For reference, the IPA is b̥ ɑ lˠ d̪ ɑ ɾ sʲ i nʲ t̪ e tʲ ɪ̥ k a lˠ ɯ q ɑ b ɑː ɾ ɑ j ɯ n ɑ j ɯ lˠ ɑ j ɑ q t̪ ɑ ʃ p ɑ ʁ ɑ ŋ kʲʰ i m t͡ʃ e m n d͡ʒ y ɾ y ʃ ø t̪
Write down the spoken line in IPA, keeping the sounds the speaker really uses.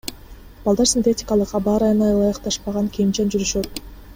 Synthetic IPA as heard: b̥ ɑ lˠ d̪ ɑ ɾ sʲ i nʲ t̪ e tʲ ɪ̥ k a lˠ ɯ q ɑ b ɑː ɾ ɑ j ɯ n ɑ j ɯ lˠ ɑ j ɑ q t̪ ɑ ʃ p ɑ ʁ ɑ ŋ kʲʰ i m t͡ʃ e n d͡ʒ y ɾ y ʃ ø t̪